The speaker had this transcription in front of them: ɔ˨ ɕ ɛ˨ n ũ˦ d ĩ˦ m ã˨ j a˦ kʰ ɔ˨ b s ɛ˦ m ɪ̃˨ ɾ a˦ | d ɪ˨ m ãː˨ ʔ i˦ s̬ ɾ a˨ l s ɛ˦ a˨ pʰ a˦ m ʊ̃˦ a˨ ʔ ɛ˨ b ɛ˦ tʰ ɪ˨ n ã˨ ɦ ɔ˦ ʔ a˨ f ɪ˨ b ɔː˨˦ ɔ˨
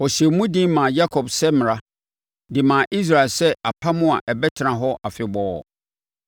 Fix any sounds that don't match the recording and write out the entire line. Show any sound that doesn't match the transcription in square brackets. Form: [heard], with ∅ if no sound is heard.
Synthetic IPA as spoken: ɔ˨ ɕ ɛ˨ [m] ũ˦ d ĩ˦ m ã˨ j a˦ kʰ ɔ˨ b s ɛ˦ m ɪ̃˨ ɾ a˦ | d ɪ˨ m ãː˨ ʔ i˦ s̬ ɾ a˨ l s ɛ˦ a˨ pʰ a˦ m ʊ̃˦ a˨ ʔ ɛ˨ b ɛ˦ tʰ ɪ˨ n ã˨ ɦ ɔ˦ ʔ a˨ f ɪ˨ b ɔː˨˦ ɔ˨